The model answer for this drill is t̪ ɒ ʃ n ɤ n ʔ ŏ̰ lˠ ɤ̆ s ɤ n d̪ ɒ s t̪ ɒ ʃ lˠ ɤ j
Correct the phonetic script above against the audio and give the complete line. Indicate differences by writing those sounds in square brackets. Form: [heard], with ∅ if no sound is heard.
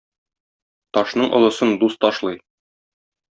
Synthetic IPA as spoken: t̪ ɒ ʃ n ɤ [ɴ] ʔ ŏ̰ lˠ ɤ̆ s ɤ n d̪ [u] s t̪ ɒ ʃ lˠ ɤ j